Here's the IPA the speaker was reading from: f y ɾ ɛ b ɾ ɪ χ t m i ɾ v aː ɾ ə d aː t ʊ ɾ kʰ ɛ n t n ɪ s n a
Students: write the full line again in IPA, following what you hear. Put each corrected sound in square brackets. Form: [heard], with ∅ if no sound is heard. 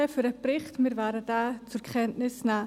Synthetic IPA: f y ɾ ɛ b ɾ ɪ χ t m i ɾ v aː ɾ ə d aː [t͡s] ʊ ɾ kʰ ɛ n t n ɪ s n a